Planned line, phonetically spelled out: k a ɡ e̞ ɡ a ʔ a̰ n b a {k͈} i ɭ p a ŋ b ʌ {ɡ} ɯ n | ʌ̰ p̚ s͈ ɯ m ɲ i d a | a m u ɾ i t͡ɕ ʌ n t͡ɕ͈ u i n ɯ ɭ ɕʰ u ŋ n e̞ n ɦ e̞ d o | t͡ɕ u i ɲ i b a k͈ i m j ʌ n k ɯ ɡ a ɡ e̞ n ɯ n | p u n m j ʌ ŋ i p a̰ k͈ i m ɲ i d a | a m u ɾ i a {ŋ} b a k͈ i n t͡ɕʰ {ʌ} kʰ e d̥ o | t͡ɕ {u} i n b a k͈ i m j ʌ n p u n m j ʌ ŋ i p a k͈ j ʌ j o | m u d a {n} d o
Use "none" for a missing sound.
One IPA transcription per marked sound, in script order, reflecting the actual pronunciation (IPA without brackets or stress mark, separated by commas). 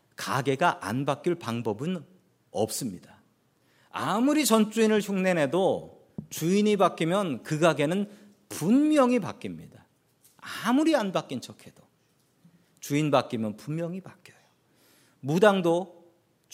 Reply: k͈, b, n, ʌ, u, ŋ